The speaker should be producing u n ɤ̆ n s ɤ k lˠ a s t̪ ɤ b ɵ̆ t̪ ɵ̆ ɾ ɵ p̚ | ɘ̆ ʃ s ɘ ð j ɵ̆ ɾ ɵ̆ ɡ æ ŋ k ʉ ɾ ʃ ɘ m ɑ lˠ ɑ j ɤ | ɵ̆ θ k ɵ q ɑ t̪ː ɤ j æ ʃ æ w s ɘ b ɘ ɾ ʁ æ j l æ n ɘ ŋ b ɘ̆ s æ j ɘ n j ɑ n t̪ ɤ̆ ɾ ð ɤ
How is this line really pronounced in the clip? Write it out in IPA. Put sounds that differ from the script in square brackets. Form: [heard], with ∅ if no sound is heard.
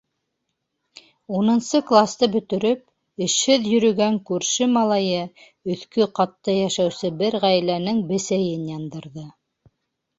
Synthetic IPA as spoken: u n ɤ̆ n s ɤ k lˠ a s t̪ ɤ b ɵ̆ t̪ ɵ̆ ɾ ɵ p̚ | ɘ̆ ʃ [h] ɘ ð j ɵ̆ ɾ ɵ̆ ɡ æ ŋ k ʉ ɾ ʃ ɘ m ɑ lˠ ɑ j ɤ | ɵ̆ θ k ɵ q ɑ t̪ː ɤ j æ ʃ æ w s ɘ b ɘ ɾ ʁ æ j l æ n ɘ ŋ b ɘ̆ s æ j ɘ n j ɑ n [d̪] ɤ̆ ɾ ð ɤ